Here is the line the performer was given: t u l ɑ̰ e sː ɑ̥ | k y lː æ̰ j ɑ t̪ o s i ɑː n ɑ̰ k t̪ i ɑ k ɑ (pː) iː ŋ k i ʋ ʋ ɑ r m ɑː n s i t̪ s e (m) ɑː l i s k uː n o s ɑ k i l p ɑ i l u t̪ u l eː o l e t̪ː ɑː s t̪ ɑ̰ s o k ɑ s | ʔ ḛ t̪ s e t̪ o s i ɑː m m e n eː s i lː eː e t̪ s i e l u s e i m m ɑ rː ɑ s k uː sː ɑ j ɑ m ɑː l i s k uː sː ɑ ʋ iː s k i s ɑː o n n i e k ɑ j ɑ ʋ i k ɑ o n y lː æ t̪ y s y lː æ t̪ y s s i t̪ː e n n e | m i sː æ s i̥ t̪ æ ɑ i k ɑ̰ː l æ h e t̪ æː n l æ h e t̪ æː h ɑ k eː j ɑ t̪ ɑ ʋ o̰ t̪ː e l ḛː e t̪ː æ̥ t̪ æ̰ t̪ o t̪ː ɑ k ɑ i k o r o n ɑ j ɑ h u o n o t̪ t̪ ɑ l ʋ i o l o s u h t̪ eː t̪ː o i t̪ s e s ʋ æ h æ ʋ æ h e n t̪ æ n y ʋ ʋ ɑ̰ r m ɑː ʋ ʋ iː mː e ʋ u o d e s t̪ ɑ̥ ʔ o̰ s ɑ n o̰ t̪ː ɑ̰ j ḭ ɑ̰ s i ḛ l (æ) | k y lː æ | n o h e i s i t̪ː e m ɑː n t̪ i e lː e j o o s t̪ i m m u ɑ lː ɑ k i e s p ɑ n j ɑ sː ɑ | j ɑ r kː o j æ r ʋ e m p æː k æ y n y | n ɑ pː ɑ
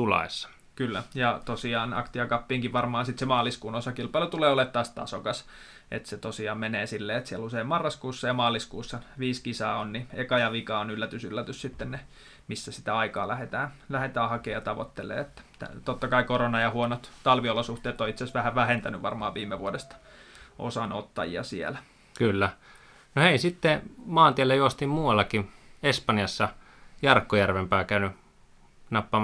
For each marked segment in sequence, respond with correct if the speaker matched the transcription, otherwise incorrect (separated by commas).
correct, correct, correct